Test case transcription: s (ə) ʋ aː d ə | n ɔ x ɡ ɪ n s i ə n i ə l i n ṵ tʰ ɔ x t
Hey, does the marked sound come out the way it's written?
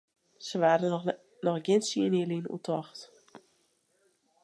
yes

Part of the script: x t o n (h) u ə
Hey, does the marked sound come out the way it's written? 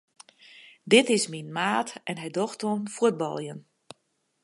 no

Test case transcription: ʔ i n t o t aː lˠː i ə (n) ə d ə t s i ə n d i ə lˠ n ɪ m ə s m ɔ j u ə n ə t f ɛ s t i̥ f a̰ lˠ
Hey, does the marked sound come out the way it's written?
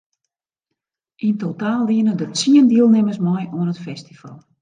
yes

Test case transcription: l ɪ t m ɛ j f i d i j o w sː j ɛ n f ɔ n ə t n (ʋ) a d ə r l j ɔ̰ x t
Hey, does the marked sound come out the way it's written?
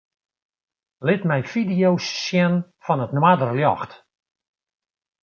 no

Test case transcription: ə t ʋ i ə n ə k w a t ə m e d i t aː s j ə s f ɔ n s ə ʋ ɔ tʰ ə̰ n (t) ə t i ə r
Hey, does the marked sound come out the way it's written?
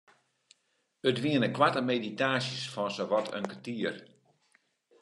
no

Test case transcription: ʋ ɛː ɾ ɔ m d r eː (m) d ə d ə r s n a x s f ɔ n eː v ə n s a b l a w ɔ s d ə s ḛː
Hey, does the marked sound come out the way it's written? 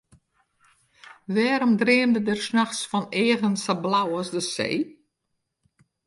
yes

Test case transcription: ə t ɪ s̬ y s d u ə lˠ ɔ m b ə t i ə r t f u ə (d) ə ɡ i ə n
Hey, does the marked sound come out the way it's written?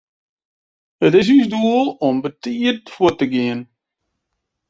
no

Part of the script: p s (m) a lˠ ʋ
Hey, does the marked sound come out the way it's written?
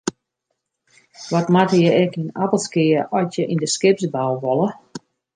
no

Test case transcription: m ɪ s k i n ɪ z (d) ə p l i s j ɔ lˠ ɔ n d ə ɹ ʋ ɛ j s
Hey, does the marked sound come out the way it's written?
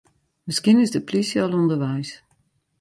yes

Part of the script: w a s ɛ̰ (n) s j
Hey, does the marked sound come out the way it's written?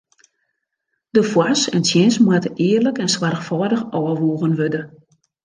yes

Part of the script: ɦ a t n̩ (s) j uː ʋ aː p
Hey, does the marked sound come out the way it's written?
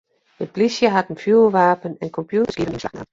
no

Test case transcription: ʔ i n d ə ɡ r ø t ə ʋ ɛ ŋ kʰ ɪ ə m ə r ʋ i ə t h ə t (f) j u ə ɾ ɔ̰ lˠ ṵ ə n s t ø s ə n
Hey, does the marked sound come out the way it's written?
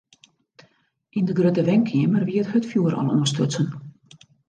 yes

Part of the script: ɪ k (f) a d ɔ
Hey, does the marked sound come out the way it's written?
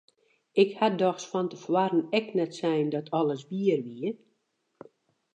no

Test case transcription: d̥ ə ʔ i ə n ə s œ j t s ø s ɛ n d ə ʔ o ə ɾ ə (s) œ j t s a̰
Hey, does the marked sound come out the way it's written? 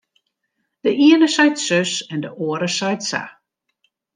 yes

